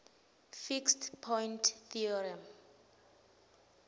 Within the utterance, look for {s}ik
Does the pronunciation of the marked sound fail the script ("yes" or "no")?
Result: yes